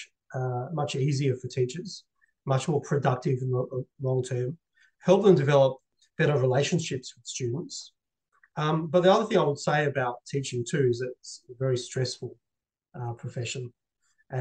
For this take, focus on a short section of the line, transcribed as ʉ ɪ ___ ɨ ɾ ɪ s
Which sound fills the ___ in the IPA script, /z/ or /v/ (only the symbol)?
z